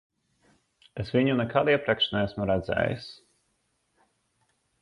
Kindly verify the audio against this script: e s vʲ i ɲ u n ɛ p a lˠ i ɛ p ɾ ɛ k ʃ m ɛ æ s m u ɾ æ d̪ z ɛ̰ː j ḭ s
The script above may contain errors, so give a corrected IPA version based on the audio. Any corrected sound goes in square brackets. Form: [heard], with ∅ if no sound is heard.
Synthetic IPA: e s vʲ i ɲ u n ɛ [k] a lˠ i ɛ p ɾ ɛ k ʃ [n] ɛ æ s m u ɾ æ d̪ z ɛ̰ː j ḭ s